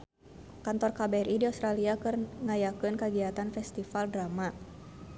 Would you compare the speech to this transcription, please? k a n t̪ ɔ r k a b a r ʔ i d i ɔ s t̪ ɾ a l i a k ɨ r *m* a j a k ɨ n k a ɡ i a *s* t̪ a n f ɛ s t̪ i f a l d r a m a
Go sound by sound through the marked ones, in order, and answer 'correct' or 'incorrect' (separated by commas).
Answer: incorrect, incorrect